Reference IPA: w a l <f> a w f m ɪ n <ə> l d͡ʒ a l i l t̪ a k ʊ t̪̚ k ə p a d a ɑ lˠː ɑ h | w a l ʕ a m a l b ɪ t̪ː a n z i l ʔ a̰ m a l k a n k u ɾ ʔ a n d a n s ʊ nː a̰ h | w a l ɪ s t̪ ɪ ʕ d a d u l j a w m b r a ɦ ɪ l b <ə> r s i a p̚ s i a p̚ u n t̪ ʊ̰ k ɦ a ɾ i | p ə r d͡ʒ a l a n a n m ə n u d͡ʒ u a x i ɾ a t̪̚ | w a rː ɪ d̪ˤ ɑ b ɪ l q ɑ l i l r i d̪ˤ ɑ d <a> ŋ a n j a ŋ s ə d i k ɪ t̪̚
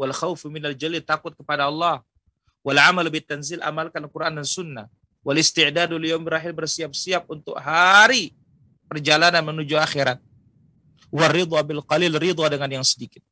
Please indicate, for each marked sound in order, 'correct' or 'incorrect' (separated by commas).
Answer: incorrect, incorrect, correct, incorrect